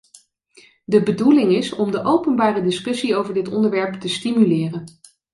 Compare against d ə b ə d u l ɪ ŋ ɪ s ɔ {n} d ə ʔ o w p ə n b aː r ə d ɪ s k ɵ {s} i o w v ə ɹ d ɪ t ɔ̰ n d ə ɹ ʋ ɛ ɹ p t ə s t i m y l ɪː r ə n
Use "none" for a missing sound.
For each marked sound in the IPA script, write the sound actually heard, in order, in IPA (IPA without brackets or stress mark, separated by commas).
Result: m, s